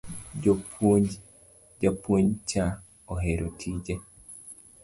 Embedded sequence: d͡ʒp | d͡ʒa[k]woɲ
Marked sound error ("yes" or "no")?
yes